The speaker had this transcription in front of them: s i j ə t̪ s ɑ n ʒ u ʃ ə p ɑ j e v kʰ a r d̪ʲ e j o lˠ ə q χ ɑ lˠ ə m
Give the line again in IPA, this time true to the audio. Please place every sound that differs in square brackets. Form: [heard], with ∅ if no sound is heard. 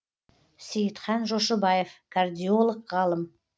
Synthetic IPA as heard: s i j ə t̪ [χ] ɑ n ʒ [o] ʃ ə [b] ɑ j e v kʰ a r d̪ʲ [i] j o lˠ ə q [ʁ] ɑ lˠ ə m